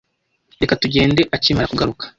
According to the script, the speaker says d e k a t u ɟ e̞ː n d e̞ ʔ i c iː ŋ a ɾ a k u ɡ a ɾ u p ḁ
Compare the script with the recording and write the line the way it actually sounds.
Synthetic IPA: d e k a t u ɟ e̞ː n d e̞ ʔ a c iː m a ɾ a k u ɡ a ɾ u k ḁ